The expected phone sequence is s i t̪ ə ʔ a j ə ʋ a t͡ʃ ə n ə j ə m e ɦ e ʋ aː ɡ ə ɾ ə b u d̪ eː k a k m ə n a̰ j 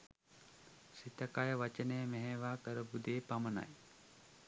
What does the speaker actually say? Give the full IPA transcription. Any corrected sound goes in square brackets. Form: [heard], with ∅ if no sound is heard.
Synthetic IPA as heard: s i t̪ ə [k] a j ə ʋ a t͡ʃ ə n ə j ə m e ɦ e ʋ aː [k] ə ɾ ə b u d̪ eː [p] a [∅] m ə n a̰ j

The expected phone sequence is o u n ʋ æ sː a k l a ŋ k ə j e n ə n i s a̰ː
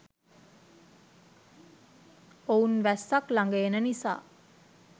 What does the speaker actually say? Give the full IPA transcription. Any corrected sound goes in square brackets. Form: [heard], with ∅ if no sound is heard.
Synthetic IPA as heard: o u n ʋ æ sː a k l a ŋ [ɡ] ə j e n ə n i s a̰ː

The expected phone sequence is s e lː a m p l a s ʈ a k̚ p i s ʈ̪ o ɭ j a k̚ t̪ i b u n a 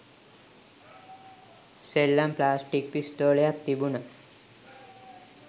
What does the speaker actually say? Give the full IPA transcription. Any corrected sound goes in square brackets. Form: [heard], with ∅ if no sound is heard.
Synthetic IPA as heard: s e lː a m p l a s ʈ [i] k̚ p i s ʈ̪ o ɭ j a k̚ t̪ i b u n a

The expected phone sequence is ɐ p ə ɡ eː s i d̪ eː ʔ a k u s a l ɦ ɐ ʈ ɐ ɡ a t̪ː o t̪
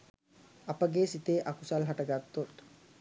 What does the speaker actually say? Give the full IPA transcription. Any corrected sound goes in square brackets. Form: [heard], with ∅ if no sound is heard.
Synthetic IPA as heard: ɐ p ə ɡ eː s i [t̪] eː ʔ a k u s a l ɦ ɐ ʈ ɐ ɡ a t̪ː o t̪

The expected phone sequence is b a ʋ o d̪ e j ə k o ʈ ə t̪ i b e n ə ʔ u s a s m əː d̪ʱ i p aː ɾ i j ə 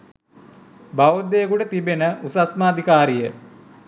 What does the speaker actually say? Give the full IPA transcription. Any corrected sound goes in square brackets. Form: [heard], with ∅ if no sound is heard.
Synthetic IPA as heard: b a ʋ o d̪ e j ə k [u] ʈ ə t̪ i b e n ə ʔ u s a s m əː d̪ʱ i [k] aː ɾ i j ə

